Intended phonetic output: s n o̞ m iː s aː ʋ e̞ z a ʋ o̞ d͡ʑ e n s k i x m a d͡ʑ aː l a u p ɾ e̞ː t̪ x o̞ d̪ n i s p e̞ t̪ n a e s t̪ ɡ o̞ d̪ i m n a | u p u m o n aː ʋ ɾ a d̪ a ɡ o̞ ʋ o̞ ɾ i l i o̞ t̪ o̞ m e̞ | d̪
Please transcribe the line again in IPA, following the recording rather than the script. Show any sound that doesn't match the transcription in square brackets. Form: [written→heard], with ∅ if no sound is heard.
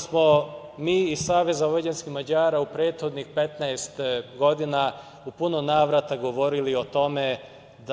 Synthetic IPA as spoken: s [n→m] o̞ m iː s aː ʋ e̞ z a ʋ o̞ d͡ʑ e n s k i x m a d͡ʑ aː [l→ɾ] a u p ɾ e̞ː t̪ x o̞ d̪ n i [s→x] p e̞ t̪ n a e s t̪ ɡ o̞ d̪ i [m→∅] n a | u p u [m→n] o n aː ʋ ɾ a [d̪→t̪] a ɡ o̞ ʋ o̞ ɾ i l i o̞ t̪ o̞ m e̞ | d̪